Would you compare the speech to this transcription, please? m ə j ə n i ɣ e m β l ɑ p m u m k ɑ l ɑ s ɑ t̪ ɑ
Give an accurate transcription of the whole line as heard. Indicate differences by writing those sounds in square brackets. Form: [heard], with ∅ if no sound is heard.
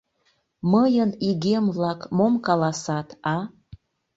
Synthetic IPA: m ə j ə n i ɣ e m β l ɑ [k] m [o] m k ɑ l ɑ s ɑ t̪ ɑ